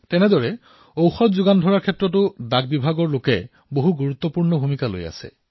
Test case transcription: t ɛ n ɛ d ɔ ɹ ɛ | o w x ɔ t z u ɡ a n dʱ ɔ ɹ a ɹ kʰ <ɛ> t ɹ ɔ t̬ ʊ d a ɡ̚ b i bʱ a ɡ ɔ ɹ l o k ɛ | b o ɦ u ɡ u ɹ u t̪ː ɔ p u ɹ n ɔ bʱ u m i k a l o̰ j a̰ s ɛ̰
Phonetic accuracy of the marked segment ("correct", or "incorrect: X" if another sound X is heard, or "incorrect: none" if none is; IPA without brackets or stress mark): correct